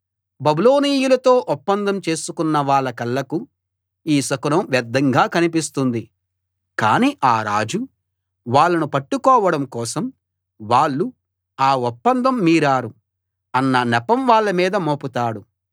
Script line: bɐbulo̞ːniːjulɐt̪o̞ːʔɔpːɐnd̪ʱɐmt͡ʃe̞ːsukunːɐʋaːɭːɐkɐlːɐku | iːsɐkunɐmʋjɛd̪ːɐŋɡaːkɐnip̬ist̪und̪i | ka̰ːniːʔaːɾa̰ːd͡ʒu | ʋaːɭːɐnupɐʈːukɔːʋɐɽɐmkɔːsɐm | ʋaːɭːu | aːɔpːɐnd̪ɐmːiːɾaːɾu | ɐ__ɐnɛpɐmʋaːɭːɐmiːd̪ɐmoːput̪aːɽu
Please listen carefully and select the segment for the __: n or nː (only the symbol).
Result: nː